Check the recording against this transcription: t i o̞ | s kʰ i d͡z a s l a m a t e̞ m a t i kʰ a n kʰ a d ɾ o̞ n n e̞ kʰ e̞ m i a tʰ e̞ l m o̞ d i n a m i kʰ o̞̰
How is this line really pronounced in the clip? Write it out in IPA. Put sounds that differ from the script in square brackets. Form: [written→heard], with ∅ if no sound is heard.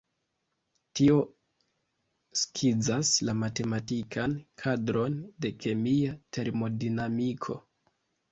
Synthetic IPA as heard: t i o̞ | s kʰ i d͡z a s l a m a t e̞ m a t i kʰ a n kʰ a d ɾ o̞ n [n→d] e̞ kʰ e̞ m i a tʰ e̞ [l→ɾ] m o̞ d i n a m i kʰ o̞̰